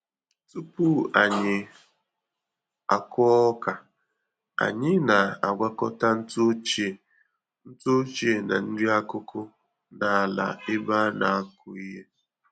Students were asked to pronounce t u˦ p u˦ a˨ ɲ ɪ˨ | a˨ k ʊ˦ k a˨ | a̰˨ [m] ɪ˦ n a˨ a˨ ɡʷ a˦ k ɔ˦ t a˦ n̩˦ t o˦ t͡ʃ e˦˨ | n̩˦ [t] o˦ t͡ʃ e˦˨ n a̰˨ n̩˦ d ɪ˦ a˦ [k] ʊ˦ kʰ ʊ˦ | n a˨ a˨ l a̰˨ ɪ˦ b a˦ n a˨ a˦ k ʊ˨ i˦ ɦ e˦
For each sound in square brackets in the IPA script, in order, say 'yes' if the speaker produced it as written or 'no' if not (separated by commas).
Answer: no, yes, yes